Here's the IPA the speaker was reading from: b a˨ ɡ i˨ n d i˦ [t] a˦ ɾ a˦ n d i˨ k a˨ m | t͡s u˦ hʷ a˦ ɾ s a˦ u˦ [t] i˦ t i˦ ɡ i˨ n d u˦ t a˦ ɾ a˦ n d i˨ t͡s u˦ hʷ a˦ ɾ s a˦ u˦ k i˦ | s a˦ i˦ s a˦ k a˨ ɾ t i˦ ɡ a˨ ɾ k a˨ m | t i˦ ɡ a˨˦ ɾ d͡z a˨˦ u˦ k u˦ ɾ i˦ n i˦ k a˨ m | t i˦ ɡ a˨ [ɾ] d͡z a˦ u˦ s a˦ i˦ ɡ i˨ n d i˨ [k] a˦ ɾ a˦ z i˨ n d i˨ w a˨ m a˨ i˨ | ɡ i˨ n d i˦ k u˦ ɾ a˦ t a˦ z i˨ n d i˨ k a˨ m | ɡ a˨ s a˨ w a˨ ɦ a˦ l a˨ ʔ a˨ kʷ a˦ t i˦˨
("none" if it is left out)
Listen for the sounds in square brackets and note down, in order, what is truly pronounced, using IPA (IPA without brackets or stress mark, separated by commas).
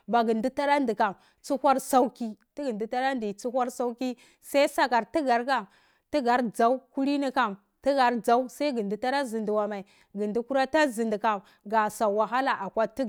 t, k, ɾ, t